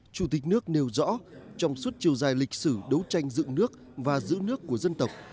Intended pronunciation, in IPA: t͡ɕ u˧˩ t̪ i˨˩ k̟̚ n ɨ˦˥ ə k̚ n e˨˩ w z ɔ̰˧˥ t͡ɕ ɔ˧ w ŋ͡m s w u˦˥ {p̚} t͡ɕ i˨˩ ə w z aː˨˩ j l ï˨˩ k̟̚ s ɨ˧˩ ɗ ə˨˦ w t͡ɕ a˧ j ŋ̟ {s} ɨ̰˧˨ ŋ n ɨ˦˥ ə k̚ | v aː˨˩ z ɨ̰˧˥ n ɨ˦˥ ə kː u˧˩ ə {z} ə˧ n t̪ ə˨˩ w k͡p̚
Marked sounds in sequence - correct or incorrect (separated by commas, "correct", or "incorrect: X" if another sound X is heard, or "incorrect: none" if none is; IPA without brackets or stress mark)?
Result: incorrect: t̚, incorrect: z, correct